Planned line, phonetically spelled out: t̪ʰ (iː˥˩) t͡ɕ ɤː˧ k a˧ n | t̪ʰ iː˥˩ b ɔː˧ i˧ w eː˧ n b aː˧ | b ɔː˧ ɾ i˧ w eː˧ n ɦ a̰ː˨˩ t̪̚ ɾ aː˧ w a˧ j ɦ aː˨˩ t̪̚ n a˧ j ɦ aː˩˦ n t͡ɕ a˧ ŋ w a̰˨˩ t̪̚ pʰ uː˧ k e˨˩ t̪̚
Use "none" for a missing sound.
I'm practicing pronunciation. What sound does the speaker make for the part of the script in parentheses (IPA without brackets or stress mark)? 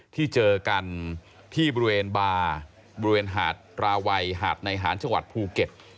iː˥˩